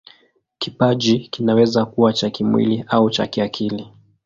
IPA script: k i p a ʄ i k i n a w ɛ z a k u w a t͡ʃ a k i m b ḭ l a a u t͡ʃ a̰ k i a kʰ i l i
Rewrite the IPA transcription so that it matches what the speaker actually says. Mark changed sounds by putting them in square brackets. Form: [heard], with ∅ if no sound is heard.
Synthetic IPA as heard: k i p a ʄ i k i n a w ɛ z a k u w a t͡ʃ a k i m [w] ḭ l [i] a u t͡ʃ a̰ k i a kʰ i l i